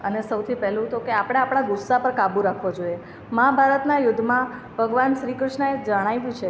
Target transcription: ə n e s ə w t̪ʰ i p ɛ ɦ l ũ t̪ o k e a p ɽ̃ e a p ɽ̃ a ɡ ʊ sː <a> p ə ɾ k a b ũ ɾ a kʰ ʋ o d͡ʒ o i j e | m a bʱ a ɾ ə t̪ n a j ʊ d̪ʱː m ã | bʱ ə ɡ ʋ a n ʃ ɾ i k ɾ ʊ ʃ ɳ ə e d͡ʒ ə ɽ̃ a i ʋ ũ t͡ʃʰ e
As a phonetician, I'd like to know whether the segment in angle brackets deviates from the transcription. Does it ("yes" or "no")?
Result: no